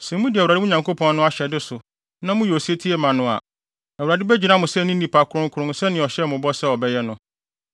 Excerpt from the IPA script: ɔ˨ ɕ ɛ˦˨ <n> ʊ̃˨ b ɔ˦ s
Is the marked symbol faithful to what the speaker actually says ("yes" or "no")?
no